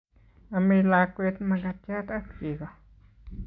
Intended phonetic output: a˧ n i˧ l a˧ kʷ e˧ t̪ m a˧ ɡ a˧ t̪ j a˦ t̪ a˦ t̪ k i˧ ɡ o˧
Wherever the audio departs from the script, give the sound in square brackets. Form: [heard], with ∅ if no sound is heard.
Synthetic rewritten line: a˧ [m] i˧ l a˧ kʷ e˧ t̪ m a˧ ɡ a˧ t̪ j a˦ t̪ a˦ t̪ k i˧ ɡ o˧